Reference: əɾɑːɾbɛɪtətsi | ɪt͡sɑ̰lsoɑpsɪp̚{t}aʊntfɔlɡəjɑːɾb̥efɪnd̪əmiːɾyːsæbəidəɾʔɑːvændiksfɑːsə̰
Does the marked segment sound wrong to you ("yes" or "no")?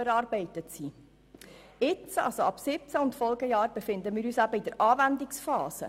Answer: yes